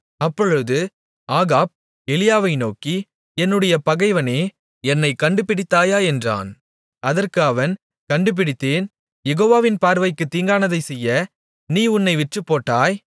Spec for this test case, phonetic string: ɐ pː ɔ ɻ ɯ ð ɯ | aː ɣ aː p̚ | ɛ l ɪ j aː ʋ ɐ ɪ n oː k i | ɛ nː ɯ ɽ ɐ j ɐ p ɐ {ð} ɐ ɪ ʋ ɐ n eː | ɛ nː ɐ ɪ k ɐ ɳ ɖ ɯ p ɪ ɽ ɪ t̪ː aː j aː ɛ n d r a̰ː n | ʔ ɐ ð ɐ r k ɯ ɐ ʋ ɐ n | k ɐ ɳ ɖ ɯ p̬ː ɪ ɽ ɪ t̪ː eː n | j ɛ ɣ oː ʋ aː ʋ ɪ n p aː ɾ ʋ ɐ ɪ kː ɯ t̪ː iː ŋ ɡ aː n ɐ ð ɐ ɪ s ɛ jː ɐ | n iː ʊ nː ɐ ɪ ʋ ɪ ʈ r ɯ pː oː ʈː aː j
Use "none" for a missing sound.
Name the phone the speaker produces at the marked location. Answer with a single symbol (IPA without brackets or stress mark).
ɣ